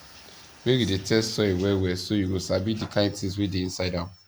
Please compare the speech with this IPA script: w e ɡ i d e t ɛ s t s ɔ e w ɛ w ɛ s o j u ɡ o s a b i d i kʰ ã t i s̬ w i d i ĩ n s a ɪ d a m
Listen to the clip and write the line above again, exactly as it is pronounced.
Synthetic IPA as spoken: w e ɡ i d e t ɛ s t s ɔ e w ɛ w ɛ s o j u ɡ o s a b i d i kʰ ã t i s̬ w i d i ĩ n s a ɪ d a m